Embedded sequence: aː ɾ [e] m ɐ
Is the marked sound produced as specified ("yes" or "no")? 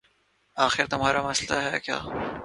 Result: no